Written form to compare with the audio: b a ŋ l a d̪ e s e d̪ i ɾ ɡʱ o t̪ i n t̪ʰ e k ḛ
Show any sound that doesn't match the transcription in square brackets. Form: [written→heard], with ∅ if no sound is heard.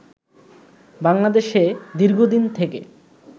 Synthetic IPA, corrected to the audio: b a ŋ l a d̪ e [s→ʃ] e d̪ i ɾ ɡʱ o [t̪→d̪] i n t̪ʰ e k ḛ